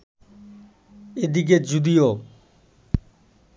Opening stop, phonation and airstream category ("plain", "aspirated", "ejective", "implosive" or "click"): plain